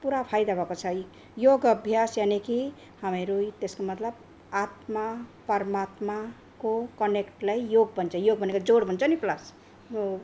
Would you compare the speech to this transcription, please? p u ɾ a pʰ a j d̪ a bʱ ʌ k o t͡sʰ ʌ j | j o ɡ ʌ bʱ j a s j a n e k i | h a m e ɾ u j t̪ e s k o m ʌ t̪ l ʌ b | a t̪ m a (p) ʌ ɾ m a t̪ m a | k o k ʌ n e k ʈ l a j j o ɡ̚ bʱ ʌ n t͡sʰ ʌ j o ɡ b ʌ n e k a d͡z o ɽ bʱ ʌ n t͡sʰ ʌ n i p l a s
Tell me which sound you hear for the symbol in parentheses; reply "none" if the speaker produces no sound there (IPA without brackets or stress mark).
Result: p